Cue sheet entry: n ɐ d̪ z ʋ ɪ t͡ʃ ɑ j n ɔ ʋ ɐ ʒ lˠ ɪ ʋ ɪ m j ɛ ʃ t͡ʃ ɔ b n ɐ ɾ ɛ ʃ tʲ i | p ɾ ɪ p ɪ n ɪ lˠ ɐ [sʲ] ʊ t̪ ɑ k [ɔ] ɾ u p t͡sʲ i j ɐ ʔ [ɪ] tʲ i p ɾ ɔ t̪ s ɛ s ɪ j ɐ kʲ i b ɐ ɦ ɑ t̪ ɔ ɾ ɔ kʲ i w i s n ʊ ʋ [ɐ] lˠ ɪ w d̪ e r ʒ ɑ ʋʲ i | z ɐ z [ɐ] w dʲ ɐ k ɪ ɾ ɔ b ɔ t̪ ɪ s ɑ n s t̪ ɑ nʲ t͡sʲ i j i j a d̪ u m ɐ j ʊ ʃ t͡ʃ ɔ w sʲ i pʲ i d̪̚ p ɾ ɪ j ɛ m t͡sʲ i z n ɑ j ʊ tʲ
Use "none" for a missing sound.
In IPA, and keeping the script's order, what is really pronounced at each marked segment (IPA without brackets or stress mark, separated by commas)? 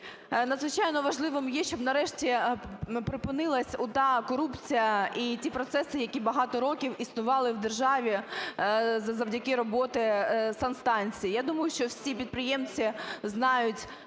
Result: sʲ, ɔ, i, ɑ, ɐ